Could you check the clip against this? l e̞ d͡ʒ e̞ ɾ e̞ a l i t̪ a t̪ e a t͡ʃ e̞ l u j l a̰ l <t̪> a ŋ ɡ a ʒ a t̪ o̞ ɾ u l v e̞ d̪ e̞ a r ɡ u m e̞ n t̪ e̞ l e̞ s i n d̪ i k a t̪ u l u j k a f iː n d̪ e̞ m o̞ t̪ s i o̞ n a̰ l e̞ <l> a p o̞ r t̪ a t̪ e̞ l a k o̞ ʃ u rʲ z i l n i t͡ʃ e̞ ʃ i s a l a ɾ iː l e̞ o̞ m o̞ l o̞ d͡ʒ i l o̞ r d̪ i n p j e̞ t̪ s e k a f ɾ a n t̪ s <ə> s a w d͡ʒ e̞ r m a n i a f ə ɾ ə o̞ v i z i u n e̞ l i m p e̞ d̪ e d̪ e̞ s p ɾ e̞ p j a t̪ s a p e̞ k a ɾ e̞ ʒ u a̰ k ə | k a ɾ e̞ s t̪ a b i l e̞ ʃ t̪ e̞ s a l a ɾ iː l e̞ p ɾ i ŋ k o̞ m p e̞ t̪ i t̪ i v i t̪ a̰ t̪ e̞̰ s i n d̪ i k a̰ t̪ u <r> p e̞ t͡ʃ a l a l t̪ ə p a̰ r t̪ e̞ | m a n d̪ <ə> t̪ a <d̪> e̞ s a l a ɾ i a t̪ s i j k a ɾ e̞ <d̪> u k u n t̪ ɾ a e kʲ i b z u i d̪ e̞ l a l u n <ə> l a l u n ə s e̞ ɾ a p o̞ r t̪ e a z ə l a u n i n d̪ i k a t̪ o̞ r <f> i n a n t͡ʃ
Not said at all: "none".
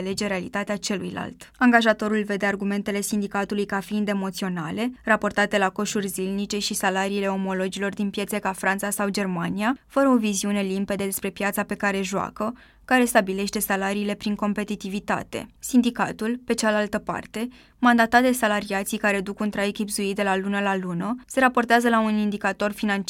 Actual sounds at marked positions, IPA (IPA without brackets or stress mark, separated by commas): t̪, r, a, l, a, d̪, d̪, ə, f